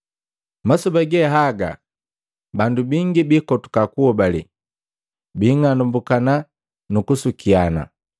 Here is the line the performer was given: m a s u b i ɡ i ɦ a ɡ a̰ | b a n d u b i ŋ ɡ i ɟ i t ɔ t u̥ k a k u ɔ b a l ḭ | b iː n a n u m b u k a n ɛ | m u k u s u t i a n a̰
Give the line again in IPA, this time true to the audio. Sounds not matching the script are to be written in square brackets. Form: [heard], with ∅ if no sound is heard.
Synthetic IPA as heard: m a s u b [a] ɡ [ɛ] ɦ a ɡ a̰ | b a n d u b i ŋ ɡ i [b] i [k] ɔ t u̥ k a k u ɔ b a l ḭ | b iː [ŋ] a n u m b u k a n [a] | [n] u k u s u [k] i a n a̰